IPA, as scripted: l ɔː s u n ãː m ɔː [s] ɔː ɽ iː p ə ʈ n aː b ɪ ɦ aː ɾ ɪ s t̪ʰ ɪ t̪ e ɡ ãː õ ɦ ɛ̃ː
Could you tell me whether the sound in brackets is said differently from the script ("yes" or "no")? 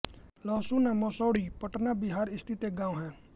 no